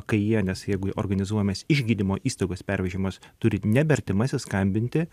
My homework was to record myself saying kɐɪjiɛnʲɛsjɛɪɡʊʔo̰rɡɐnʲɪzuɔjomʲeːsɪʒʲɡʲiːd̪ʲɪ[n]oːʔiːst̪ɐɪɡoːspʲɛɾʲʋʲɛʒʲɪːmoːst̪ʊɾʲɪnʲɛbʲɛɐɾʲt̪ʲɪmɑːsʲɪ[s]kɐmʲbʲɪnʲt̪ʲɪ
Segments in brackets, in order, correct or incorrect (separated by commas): incorrect, correct